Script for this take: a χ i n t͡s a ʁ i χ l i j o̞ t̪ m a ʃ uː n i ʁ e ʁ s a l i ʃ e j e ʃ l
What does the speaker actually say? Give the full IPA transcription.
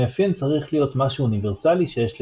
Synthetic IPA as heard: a f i n t͡s a ʁ i χ l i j o̞ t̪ m a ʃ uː n i v e ʁ s a l i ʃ e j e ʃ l